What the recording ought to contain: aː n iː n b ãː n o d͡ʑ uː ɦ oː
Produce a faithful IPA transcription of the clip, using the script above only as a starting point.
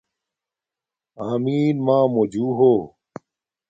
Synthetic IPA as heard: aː m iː n m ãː m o d͡ʑ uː ɦ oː